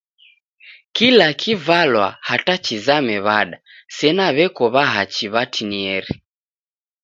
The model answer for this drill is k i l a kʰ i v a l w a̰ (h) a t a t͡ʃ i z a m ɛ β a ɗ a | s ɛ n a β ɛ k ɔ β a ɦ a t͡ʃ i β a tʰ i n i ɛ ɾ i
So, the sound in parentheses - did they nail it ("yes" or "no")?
yes